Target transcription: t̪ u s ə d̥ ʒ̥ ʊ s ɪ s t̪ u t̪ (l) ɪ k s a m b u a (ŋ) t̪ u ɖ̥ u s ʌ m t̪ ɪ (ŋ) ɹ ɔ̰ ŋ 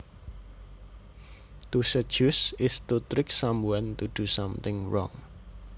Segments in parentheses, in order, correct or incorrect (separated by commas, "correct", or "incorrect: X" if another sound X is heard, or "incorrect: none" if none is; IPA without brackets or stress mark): incorrect: ɾ, incorrect: n, correct